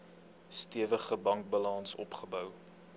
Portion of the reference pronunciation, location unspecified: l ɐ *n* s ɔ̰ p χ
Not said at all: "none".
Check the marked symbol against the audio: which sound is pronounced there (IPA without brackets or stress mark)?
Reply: n